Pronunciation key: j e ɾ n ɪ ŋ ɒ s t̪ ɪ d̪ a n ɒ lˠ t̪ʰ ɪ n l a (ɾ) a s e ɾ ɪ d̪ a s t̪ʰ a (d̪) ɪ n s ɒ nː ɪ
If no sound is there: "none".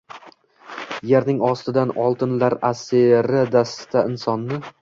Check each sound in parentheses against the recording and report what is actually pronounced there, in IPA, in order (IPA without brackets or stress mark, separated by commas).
ɾ, none